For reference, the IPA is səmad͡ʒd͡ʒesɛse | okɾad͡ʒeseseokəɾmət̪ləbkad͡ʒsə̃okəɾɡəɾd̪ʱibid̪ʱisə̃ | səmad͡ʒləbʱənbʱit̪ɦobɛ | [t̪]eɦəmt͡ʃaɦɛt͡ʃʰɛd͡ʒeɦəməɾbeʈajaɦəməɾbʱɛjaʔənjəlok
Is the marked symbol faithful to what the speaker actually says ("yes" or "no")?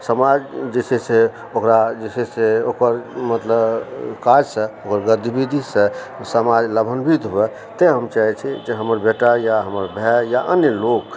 yes